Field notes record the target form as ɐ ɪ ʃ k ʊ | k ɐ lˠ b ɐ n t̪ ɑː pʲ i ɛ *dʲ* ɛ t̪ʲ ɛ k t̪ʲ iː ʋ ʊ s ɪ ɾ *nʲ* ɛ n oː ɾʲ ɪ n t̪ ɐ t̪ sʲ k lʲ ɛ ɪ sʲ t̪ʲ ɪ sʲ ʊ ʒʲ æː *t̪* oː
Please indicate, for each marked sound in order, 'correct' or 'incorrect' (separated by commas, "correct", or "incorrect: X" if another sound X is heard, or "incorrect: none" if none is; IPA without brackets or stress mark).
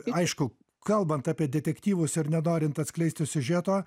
correct, correct, correct